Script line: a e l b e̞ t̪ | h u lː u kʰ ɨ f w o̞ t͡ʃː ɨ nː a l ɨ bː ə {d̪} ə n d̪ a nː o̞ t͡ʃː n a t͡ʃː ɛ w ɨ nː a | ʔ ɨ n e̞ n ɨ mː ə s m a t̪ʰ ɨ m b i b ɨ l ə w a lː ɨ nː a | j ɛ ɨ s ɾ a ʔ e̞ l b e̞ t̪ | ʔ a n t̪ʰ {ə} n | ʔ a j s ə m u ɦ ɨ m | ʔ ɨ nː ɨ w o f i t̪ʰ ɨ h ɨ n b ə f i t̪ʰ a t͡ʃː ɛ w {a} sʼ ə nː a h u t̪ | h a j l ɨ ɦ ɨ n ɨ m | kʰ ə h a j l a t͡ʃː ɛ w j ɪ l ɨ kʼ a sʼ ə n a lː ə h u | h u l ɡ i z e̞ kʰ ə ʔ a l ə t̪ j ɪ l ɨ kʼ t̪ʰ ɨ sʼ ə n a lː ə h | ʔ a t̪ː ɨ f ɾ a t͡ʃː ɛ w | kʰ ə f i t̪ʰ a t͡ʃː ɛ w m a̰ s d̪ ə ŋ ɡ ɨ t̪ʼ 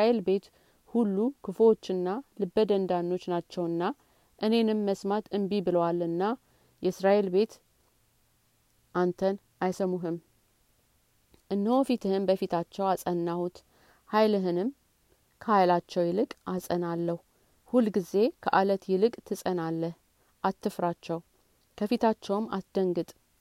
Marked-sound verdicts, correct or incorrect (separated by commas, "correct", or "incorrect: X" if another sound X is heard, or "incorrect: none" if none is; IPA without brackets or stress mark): correct, correct, correct